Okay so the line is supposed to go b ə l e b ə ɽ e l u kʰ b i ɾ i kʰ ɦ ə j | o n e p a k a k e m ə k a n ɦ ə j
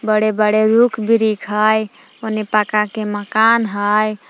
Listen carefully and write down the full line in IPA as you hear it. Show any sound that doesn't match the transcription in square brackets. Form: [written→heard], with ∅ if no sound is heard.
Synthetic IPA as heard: b ə [l→ɽ] e b ə ɽ e [l→ɾ] u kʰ b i ɾ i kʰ ɦ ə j | o n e p a k a k e m ə k a n ɦ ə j